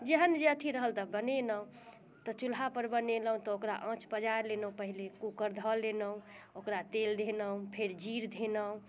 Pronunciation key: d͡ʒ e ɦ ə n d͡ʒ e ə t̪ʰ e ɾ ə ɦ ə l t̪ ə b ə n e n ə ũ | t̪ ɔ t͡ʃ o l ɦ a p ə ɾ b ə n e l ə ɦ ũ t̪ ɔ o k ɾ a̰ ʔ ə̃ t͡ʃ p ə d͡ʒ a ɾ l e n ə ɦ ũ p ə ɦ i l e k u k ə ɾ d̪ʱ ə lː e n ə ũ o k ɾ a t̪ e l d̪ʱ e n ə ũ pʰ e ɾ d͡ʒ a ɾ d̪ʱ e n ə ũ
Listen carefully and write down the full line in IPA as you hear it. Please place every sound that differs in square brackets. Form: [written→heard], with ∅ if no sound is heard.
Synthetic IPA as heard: d͡ʒ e ɦ ə n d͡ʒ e ə t̪ʰ [e→i] ɾ ə ɦ ə l t̪ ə b ə n e n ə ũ | t̪ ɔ t͡ʃ [o→u] l ɦ a p ə ɾ b ə n e l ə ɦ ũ t̪ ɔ o k ɾ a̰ ʔ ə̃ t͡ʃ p ə d͡ʒ a ɾ l e n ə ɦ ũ p ə ɦ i l e k u k ə ɾ d̪ʱ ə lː e n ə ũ o k ɾ a t̪ e l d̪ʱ e n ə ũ pʰ e ɾ d͡ʒ [a→i] ɾ d̪ʱ e n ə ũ